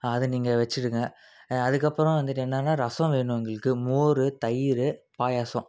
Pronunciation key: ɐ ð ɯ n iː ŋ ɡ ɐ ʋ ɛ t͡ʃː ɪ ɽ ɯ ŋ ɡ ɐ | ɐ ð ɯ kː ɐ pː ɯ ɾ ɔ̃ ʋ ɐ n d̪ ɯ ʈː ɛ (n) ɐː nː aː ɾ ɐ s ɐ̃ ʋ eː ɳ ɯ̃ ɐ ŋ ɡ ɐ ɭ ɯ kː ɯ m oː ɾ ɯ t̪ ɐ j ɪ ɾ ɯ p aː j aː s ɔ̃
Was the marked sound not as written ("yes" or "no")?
yes